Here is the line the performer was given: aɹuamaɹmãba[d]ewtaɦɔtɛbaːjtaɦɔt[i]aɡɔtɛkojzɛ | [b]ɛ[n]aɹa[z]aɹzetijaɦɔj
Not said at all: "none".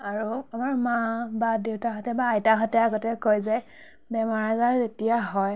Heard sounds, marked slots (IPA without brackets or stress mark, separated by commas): d, ɛ, b, m, z